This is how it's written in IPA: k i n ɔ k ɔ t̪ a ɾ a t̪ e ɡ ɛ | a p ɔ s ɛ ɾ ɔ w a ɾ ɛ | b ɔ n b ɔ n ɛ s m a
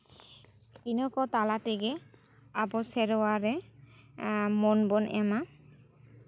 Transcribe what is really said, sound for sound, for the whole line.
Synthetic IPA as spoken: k i n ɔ k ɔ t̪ a l a t̪ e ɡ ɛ | a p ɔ s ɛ ɾ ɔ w a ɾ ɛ | m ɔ n b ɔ n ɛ m a